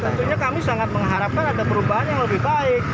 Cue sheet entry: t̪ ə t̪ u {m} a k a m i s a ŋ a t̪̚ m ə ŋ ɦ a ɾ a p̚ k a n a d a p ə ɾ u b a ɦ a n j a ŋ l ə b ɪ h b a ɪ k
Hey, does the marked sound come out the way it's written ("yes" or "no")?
no